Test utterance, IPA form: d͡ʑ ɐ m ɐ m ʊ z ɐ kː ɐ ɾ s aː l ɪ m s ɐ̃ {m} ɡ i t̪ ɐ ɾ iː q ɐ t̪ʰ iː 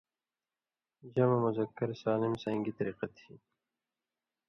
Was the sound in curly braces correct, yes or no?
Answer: no